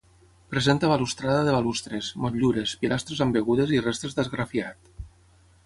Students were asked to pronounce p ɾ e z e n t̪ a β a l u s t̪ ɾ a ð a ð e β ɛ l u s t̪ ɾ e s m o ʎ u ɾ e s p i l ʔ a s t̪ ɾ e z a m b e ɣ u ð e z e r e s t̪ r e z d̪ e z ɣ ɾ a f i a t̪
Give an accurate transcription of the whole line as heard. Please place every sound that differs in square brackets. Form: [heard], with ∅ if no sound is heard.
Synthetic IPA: p ɾ e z e n t̪ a β a l u s t̪ ɾ a ð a ð e β [a] l u s t̪ ɾ e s m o ʎ u ɾ e s p i l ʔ a s t̪ ɾ e z a m b e ɣ u ð e z [i] r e s t̪ [ɾ] e z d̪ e z ɣ ɾ a f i a t̪